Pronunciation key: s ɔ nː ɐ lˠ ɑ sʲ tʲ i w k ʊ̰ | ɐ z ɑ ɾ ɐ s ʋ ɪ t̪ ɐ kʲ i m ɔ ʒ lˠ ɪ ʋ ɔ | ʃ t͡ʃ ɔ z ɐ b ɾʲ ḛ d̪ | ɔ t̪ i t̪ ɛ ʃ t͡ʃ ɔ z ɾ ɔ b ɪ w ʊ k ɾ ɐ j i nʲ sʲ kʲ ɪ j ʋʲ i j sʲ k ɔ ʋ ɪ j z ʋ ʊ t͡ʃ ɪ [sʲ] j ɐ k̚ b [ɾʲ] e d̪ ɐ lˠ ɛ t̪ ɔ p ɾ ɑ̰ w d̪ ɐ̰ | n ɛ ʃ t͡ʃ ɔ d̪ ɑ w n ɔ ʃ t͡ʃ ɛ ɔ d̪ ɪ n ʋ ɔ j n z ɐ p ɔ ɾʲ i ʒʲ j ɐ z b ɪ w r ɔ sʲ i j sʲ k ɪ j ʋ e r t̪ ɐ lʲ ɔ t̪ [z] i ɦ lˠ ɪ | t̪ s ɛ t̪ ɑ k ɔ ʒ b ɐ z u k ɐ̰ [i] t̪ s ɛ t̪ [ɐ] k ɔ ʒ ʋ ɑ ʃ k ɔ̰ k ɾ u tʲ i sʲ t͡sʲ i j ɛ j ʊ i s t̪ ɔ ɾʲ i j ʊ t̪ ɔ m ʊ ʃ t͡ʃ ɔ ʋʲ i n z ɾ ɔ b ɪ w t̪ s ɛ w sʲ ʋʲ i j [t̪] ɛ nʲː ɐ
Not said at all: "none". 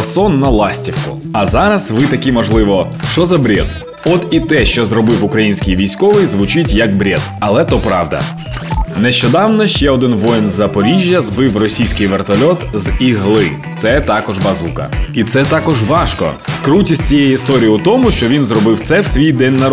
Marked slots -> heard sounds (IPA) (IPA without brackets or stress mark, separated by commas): tʲ, ɾʲ, z, i, ɑ, d̪